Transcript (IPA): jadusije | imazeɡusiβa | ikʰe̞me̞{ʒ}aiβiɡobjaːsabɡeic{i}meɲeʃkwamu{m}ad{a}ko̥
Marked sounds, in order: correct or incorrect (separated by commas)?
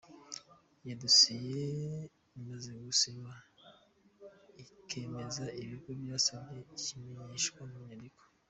incorrect, correct, incorrect, incorrect